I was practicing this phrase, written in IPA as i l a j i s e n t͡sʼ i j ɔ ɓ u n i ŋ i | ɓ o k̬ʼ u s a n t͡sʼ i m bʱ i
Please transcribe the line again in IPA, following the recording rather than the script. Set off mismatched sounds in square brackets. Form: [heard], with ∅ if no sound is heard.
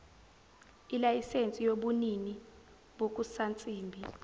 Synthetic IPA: i l a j i s e n t͡sʼ i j [o] ɓ u n i [n] i | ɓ o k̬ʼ u s a n t͡sʼ [iː] m bʱ i